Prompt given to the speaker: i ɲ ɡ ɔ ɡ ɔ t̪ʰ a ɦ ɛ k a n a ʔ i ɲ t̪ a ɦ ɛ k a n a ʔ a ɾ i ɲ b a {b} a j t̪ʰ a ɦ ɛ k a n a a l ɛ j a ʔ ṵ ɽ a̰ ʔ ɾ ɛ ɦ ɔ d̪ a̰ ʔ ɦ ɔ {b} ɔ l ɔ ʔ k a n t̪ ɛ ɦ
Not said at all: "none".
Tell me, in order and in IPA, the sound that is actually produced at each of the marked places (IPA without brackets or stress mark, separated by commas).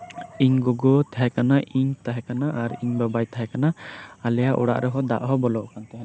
b, b